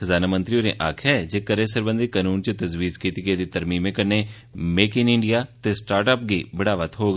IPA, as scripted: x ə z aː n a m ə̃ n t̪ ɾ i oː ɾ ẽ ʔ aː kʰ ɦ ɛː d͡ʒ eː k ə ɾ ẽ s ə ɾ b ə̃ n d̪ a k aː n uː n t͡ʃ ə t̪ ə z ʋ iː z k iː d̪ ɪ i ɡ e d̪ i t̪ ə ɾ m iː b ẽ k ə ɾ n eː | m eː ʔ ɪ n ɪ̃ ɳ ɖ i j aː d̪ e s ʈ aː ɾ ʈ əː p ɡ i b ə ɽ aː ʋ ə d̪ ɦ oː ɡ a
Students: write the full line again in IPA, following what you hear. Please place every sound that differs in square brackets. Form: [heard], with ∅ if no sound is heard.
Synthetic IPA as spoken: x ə z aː n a m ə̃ n t̪ ɾ i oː ɾ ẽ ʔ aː kʰ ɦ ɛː d͡ʒ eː k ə ɾ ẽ s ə ɾ b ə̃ n d̪ [i] k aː n uː n t͡ʃ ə t̪ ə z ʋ iː z k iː [t̪] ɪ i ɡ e d̪ i t̪ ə ɾ m iː [m] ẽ k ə ɾ n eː | m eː [k] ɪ n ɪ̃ ɳ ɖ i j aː [t̪] e s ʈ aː ɾ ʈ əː p ɡ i b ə ɽ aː ʋ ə [t̪] ɦ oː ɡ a